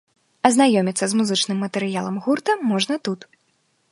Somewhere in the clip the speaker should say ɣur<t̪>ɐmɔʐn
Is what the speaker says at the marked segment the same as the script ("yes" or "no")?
yes